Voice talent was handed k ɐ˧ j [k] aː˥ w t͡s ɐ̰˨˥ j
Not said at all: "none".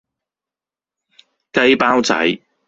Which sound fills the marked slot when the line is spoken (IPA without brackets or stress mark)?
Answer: p